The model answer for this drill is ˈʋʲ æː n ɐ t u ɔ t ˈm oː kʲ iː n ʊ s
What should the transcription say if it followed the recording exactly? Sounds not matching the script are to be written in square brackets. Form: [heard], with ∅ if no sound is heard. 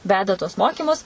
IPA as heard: ˈʋʲ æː [d] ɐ t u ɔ [s] ˈm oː kʲ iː [m] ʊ s